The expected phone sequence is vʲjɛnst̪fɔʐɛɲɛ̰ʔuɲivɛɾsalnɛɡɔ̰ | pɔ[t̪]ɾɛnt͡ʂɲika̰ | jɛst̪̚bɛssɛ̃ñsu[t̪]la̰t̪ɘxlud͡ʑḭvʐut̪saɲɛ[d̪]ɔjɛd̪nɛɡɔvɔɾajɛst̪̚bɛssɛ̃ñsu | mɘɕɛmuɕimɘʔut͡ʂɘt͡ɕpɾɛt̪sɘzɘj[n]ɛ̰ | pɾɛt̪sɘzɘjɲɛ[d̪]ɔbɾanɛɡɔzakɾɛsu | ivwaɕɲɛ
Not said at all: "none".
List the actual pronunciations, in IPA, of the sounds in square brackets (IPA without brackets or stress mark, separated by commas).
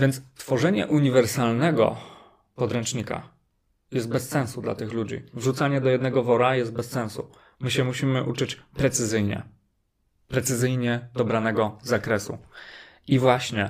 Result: d̪, d̪, d̪, ɲ, d̪